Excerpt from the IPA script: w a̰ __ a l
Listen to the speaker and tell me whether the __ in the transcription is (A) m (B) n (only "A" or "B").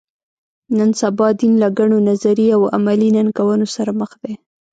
A